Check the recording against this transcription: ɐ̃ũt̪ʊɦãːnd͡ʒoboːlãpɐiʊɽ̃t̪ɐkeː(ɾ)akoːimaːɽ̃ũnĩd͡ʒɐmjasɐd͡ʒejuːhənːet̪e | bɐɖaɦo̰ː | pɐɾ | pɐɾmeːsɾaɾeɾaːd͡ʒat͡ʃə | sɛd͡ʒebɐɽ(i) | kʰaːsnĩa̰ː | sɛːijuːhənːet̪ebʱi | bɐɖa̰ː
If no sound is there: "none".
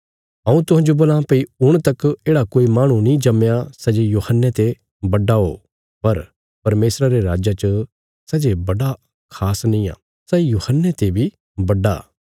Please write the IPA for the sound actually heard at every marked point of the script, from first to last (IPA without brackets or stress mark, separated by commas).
ɽ, a